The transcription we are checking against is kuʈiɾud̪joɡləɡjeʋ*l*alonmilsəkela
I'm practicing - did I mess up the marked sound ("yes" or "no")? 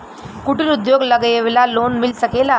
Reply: no